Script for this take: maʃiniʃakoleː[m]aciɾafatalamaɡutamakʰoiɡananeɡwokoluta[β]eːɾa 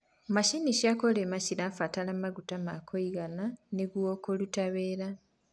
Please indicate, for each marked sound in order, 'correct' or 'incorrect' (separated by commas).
correct, correct